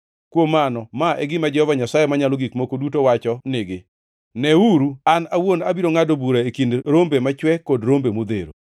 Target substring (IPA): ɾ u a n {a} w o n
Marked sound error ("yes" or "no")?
no